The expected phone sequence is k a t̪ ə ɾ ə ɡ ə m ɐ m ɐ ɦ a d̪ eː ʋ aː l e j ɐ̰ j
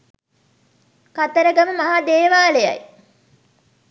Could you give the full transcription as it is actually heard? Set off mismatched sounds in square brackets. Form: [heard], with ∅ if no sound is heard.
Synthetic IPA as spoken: k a t̪ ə ɾ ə ɡ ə m [ə] m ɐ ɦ a d̪ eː ʋ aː l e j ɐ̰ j